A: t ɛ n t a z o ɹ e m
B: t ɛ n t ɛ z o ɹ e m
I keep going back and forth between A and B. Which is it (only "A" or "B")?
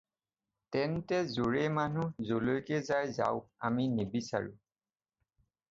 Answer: B